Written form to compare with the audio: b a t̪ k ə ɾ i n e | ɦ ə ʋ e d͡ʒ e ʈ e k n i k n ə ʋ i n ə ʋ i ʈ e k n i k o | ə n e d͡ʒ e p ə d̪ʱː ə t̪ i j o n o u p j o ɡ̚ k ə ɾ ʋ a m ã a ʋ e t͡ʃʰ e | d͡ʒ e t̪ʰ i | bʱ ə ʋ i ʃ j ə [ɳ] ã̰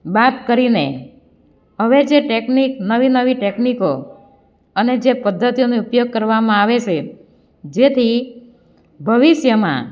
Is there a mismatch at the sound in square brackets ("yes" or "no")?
yes